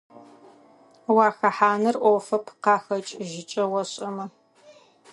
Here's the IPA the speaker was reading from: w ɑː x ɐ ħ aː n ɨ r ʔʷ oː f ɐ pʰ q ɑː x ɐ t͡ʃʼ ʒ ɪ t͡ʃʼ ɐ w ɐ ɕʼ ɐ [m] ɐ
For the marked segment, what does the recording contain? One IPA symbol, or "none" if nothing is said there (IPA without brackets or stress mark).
m